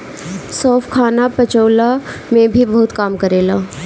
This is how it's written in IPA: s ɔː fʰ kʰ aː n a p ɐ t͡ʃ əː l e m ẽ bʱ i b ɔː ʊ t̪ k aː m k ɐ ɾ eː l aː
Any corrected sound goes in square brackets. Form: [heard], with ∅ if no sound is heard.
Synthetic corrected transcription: s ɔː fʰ kʰ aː n a p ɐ t͡ʃ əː l [a] m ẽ bʱ i b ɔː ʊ t̪ k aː m k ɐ ɾ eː l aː